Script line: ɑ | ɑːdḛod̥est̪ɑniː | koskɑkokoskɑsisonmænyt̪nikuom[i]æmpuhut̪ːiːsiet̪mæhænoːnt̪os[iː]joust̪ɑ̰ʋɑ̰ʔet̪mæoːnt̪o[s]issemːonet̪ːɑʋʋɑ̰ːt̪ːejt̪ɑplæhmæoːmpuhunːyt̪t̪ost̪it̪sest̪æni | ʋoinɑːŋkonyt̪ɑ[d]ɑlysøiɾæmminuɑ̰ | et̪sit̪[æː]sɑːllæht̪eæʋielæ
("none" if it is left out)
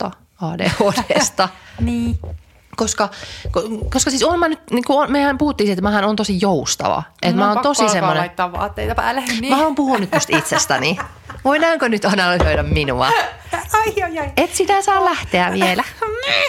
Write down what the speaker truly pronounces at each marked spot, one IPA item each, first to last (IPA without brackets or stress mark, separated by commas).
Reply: e, i, s, n, æ